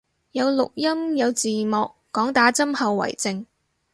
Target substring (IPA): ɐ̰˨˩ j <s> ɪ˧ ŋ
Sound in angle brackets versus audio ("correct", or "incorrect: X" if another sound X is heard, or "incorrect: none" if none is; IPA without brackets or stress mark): incorrect: t͡s